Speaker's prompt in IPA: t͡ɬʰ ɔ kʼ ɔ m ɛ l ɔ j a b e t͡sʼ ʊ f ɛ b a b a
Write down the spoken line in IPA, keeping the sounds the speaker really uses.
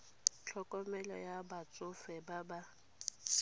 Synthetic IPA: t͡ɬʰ ɔ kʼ ɔ m ɛ l ɔ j a b a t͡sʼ ʊ f ɛ b a b a